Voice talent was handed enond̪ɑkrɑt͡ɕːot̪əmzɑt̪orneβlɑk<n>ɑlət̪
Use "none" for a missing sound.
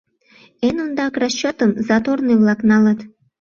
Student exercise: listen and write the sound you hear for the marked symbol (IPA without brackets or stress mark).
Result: n